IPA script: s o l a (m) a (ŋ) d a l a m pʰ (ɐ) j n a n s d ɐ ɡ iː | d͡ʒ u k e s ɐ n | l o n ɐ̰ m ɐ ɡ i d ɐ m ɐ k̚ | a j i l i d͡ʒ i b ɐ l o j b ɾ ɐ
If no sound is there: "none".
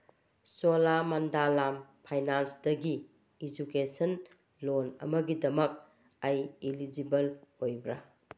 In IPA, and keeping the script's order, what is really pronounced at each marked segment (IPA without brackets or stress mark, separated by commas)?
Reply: m, n, a